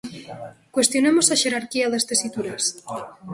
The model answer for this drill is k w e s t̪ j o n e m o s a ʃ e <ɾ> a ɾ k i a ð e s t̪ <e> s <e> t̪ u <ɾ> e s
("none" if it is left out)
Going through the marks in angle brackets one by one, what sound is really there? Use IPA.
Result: ɾ, e, i, ɾ

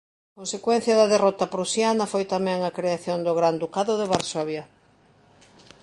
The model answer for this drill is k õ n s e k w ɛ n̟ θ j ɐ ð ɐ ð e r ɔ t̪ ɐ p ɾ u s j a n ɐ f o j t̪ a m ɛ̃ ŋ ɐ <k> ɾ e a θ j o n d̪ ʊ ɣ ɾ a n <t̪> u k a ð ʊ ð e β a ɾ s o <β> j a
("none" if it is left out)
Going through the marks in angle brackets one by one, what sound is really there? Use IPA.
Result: k, d̪, β

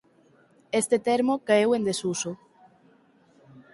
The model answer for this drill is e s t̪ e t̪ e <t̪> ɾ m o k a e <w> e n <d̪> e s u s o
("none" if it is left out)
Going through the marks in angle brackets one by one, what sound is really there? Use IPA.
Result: none, w, d̪

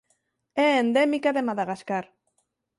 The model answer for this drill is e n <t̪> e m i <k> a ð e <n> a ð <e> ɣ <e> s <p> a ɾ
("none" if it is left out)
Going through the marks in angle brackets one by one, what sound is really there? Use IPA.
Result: d̪, k, m, a, a, k

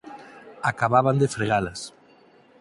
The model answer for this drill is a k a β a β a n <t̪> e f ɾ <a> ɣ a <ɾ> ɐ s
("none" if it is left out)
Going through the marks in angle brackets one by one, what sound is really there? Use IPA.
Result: d̪, e, l

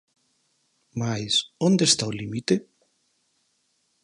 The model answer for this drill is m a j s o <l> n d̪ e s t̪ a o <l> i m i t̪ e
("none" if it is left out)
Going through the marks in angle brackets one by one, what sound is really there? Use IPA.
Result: none, l

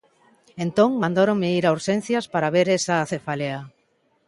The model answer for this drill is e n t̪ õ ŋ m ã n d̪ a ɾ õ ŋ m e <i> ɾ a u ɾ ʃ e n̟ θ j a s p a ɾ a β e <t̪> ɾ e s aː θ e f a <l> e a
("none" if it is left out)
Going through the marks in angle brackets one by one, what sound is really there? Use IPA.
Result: i, none, l

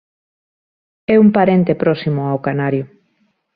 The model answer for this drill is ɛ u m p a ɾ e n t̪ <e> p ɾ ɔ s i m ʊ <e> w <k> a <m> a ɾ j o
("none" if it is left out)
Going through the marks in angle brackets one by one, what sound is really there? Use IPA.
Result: e, a, k, n

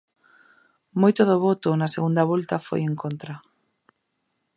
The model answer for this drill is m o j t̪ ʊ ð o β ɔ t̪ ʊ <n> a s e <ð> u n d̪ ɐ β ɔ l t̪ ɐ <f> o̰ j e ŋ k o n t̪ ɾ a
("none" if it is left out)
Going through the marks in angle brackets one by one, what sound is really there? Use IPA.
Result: n, ɣ, f

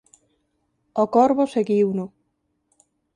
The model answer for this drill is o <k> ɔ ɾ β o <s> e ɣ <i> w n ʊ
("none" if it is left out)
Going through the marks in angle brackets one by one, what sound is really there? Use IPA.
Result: k, s, i

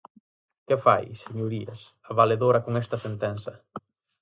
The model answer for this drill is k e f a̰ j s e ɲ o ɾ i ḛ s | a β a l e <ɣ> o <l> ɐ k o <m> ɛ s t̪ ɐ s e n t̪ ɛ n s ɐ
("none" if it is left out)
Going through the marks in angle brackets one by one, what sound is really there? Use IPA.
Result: ð, ɾ, ŋ

